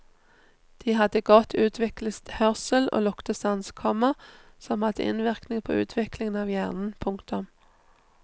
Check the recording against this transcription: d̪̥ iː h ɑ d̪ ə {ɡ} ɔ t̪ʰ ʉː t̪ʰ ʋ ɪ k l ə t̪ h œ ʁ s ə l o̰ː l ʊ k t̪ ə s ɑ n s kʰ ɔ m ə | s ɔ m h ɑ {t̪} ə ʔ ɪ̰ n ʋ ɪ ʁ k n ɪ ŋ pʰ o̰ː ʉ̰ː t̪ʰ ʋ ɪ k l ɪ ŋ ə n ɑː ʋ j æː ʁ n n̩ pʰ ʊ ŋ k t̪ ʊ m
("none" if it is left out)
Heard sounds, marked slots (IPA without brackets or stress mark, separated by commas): ɡ, d̪